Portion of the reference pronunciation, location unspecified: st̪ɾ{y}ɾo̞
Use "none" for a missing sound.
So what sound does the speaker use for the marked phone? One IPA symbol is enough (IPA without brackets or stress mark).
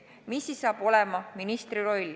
i